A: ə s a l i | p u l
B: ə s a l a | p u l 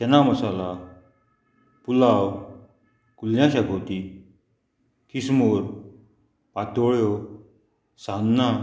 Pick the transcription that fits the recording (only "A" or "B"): B